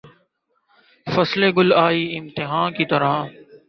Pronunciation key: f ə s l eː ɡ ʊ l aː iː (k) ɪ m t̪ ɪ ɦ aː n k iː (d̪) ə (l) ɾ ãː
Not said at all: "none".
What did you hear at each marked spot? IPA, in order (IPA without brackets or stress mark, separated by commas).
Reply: none, t̪, none